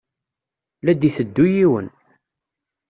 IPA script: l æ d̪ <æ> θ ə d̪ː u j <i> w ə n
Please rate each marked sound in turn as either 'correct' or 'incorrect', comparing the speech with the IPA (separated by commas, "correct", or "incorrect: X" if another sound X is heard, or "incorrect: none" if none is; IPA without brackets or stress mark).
incorrect: i, correct